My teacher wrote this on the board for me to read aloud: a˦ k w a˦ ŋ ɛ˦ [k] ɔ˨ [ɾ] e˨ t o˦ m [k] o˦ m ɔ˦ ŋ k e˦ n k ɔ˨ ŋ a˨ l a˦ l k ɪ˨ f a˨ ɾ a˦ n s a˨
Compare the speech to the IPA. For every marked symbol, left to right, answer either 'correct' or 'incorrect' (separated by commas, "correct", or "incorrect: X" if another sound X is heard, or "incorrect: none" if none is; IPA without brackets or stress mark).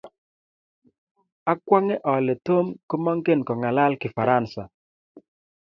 incorrect: ʔ, incorrect: l, correct